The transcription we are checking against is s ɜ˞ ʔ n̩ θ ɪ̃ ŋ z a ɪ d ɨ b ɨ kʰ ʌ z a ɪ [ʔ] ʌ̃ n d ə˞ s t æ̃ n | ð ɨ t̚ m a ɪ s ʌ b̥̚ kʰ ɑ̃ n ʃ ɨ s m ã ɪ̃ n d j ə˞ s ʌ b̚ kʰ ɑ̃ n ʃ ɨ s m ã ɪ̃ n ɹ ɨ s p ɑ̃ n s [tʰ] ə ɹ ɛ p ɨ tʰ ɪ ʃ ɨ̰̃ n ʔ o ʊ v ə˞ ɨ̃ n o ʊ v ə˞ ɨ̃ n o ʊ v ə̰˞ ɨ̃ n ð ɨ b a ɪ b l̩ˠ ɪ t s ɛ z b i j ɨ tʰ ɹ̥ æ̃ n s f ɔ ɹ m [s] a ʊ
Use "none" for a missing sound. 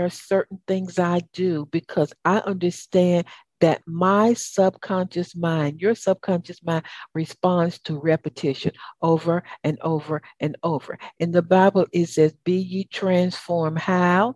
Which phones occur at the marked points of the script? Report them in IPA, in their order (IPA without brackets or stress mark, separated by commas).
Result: ʔ, tʰ, h